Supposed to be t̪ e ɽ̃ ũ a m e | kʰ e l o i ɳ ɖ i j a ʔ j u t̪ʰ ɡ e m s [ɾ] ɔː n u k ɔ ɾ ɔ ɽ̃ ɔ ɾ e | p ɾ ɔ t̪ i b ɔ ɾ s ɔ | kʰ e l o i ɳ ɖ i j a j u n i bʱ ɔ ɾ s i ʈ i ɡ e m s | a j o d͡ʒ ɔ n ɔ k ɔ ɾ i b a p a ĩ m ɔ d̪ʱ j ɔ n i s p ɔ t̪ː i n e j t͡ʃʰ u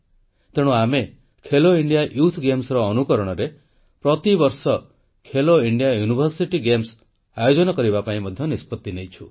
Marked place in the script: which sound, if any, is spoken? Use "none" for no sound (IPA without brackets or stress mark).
ɾ